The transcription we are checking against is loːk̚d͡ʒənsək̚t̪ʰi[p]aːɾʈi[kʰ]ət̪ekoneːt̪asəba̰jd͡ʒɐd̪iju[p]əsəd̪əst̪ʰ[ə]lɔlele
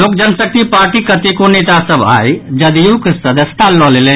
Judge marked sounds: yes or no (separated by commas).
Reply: yes, no, no, no